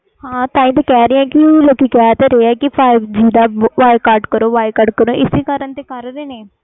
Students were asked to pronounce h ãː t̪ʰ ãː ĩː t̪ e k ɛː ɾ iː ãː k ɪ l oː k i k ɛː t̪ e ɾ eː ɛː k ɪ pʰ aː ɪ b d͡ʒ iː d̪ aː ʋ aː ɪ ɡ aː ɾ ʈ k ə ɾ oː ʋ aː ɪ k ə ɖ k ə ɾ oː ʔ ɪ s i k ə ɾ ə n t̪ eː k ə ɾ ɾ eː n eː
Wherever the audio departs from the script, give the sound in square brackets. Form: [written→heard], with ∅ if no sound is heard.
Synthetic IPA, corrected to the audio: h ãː [t̪ʰ→t̪] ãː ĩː t̪ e k ɛː ɾ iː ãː k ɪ l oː k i k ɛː t̪ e ɾ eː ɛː k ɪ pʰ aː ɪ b d͡ʒ iː d̪ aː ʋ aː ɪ [ɡ→k] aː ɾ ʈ k ə ɾ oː ʋ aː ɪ k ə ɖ k ə ɾ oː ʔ ɪ s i k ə ɾ ə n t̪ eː k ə ɾ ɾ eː n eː